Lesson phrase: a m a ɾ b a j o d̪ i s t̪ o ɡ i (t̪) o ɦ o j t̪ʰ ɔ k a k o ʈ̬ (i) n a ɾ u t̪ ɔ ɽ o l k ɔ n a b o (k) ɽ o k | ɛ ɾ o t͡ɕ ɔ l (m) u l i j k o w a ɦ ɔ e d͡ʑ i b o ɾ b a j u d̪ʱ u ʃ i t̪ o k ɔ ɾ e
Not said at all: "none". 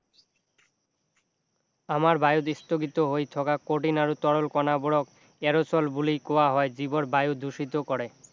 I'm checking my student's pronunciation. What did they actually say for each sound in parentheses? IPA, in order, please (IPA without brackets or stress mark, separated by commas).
t̪, i, none, b